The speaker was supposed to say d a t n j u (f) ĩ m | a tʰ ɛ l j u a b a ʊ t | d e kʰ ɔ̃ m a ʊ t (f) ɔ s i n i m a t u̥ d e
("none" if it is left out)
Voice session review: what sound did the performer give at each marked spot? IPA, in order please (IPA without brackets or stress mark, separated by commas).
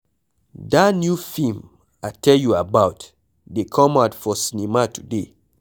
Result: f, f